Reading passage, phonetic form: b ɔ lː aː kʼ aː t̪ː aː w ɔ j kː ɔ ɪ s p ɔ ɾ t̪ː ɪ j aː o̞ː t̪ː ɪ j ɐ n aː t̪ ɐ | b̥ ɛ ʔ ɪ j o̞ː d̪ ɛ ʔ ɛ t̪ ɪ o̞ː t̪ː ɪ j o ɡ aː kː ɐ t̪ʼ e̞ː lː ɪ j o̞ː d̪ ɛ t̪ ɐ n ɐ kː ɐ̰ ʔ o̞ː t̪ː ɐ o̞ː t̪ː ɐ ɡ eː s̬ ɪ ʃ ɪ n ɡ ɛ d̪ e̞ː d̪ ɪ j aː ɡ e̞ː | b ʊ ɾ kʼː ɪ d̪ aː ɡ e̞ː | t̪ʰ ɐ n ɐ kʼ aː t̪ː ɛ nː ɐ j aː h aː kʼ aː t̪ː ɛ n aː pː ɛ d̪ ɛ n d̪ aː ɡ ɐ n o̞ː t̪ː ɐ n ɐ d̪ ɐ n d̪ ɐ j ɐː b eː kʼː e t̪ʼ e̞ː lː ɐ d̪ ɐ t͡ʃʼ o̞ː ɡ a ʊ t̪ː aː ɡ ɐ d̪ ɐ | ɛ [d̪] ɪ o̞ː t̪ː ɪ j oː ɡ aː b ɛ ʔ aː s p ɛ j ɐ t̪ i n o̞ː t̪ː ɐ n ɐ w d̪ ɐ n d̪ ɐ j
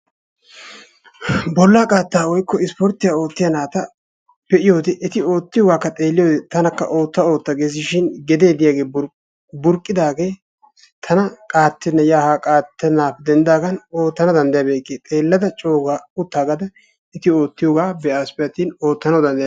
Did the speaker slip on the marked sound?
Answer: yes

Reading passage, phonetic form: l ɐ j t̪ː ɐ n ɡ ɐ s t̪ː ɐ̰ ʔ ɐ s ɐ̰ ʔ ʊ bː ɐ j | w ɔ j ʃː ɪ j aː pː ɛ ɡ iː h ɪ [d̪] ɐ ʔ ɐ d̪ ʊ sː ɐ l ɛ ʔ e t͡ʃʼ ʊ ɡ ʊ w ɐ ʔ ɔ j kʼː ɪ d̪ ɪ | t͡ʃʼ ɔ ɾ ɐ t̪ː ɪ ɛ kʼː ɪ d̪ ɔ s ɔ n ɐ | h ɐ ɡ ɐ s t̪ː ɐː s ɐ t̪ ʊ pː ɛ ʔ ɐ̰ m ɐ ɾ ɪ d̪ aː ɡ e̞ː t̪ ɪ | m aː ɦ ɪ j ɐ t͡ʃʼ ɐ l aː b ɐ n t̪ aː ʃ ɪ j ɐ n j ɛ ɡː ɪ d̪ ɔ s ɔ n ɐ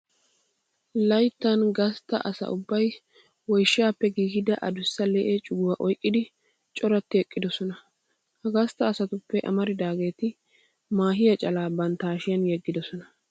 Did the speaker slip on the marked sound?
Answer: no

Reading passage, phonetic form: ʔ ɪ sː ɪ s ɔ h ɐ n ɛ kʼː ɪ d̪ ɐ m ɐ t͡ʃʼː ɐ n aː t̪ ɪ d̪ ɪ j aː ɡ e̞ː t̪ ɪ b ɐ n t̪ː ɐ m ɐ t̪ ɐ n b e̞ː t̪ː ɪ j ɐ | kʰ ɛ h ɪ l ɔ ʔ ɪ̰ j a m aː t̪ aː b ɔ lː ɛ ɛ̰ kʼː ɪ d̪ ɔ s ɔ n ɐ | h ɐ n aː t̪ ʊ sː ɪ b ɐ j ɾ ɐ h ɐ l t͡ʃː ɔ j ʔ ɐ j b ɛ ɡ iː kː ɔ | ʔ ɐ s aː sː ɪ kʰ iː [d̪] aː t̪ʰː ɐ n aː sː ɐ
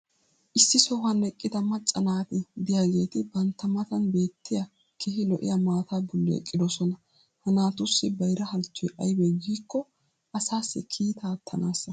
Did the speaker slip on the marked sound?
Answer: yes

